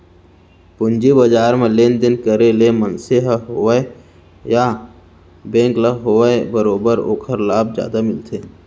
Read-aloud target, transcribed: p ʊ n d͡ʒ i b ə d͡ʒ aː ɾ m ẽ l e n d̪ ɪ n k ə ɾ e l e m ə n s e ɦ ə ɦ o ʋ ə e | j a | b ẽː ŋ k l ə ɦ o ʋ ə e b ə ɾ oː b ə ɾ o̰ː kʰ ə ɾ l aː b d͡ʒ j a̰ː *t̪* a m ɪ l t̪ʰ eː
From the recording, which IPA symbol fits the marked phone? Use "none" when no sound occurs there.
d̪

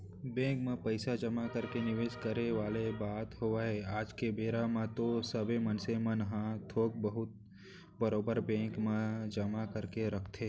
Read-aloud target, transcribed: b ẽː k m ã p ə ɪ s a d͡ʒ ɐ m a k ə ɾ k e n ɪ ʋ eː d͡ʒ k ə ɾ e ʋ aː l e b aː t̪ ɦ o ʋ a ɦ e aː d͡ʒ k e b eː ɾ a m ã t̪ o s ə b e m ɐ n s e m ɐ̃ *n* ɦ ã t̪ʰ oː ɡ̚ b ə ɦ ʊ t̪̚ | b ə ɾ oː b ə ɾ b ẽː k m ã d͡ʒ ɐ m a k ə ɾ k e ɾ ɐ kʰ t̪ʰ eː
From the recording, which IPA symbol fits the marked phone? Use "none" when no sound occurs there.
n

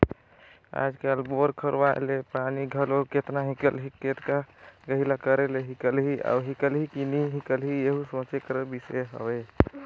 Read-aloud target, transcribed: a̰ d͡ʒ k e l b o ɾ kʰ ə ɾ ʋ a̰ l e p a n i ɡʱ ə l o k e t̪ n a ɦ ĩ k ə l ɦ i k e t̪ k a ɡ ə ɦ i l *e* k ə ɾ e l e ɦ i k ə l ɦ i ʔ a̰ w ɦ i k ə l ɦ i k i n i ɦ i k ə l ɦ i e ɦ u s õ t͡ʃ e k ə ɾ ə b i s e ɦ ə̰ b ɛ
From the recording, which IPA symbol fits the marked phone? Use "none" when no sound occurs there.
a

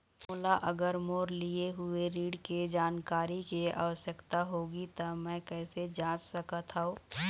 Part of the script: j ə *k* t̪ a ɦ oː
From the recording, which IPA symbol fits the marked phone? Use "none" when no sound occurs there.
k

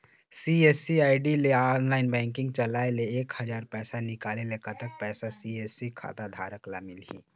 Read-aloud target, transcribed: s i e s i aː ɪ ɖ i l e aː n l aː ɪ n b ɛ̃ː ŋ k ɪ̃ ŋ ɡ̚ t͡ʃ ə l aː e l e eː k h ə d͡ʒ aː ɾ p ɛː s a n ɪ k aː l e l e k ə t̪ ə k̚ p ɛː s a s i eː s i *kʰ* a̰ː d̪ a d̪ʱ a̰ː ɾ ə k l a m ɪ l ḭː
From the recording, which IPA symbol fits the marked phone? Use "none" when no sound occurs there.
kʰ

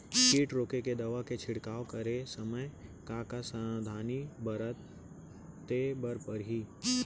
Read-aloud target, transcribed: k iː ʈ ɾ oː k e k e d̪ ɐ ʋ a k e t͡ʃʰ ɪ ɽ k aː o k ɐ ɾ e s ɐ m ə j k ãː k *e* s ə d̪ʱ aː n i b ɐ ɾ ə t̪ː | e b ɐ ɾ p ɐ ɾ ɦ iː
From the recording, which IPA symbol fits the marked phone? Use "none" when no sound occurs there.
a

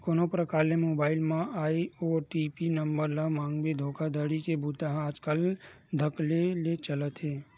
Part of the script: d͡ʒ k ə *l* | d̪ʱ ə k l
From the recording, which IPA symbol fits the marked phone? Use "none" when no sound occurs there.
l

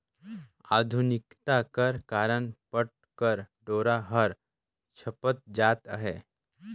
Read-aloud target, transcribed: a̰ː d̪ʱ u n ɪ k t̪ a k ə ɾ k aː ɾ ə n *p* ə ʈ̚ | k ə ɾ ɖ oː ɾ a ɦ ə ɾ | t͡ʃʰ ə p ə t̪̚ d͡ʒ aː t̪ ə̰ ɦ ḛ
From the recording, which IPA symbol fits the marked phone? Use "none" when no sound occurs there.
p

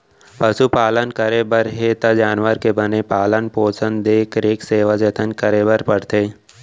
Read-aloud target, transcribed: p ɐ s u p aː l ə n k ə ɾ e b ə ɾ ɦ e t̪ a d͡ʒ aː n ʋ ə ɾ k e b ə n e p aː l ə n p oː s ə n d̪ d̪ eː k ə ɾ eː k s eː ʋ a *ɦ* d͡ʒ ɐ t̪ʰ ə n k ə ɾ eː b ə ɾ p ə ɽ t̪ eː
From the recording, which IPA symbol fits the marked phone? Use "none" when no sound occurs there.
none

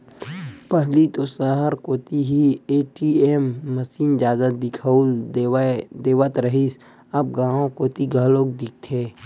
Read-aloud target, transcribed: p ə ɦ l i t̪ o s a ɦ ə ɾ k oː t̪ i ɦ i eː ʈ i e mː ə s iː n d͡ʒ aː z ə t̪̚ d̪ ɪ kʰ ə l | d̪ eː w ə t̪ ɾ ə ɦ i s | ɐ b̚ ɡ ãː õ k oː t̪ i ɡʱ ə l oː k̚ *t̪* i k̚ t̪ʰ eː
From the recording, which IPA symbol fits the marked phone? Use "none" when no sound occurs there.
d̪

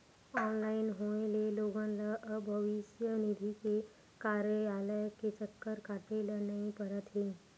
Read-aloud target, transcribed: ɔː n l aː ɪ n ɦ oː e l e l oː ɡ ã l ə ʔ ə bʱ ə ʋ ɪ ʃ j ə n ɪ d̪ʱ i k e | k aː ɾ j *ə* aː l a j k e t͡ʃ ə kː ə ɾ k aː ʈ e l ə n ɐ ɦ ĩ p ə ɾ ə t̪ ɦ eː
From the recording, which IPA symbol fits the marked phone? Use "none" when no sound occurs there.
ə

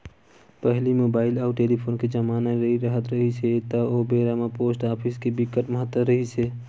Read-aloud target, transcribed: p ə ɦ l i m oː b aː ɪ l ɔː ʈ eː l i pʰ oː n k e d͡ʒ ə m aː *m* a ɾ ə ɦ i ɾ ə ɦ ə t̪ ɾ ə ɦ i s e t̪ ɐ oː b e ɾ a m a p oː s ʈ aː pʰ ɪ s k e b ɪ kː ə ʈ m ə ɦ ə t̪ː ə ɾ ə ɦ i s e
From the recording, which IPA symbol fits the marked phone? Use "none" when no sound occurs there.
n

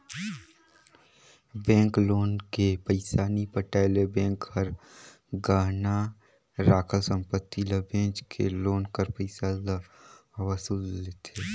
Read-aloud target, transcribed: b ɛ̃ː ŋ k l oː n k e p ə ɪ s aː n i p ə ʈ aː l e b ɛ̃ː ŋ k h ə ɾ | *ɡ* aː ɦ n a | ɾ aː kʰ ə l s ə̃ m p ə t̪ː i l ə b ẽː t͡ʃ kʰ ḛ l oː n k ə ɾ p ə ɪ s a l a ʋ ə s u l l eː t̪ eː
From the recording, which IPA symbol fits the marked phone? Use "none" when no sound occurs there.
ɡ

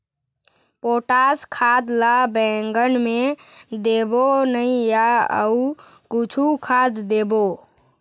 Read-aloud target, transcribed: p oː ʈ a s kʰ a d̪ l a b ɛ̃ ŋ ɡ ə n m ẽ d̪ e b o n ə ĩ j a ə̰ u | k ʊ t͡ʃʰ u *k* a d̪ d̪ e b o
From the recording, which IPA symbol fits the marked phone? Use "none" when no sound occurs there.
kʰ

